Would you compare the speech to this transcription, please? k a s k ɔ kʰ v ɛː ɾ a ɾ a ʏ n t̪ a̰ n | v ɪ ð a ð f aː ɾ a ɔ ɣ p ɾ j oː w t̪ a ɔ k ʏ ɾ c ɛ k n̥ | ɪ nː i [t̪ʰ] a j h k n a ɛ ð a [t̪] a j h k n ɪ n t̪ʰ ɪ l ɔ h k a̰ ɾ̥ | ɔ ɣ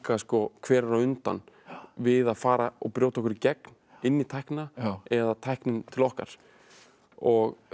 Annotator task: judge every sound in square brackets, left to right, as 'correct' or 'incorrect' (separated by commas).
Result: correct, incorrect